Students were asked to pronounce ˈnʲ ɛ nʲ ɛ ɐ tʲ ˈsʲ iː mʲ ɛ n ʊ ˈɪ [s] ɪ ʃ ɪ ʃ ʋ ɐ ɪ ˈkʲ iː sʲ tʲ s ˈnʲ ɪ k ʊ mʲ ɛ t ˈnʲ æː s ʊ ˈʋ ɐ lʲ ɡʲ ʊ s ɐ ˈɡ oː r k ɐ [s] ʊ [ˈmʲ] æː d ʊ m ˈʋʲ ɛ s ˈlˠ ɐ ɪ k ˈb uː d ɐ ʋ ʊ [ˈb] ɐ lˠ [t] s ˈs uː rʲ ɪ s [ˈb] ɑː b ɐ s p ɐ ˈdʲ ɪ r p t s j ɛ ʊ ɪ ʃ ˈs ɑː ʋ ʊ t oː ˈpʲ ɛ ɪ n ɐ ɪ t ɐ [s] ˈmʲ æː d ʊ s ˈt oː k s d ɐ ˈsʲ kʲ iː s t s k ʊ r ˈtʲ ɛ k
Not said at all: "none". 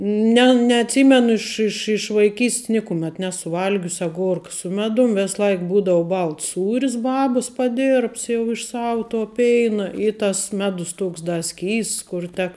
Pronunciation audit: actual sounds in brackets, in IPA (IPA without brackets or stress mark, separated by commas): ʃ, s, mʲ, b, t, b, s